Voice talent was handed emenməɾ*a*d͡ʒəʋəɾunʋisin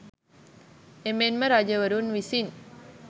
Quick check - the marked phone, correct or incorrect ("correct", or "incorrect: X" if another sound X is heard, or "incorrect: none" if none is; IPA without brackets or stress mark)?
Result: correct